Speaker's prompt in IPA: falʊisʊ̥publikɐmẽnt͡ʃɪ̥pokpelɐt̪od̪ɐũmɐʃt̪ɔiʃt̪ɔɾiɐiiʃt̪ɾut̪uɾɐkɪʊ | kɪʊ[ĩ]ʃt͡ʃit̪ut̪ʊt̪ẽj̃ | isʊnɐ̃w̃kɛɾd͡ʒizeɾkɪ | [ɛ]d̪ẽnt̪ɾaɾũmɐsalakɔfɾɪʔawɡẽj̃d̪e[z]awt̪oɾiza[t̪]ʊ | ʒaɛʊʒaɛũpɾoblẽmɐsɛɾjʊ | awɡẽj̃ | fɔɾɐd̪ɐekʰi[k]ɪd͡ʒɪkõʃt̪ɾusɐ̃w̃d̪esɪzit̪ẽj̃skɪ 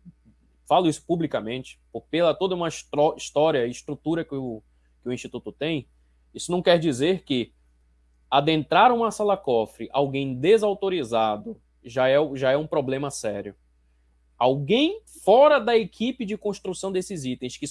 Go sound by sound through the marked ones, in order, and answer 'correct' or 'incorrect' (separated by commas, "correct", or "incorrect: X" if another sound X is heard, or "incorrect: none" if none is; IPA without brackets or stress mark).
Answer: correct, incorrect: a, correct, incorrect: d̪, incorrect: p